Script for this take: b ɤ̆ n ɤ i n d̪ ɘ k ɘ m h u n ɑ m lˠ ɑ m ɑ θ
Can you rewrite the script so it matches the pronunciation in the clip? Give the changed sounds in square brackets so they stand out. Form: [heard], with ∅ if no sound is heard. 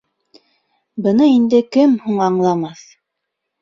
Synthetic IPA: b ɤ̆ n ɤ i n d̪ ɘ k ɘ m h u [ɴ] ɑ [ɴ] lˠ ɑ m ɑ θ